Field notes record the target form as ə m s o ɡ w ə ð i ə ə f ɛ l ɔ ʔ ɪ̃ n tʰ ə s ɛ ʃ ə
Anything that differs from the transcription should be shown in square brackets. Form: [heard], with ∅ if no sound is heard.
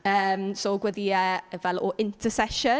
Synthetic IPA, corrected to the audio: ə m s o ɡ w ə ð i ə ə [v] ɛ l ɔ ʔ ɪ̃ n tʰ ə s ɛ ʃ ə